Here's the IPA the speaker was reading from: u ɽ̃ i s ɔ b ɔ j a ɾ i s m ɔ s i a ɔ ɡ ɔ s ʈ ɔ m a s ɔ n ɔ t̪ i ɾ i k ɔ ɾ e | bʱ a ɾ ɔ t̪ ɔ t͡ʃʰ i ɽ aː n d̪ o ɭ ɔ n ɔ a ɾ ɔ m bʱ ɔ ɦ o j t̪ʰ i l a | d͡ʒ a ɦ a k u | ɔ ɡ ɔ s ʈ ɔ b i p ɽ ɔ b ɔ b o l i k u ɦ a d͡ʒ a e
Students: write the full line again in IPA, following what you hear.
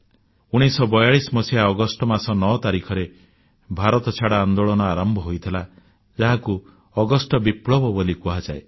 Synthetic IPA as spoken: u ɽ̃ i s ɔ b ɔ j a ɭ i s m ɔ s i a ɔ ɡ ɔ s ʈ ɔ m a s ɔ n ɔ t̪ a ɾ i kʰ ɔ ɾ e | bʱ a ɾ ɔ t̪ ɔ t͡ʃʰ a ɽ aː n d̪ o ɭ ɔ n ɔ a ɾ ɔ m bʱ ɔ ɦ o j t̪ʰ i l a | d͡ʒ a ɦ a k u | ɔ ɡ ɔ s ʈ ɔ b i p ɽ ɔ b ɔ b o l i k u ɦ a d͡ʒ a e